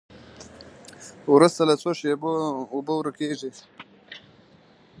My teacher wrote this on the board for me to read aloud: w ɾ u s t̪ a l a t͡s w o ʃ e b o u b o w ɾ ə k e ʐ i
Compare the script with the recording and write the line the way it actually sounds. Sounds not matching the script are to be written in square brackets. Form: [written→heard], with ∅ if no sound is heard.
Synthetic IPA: w ɾ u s t̪ a l a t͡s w o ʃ e b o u b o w ɾ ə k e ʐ i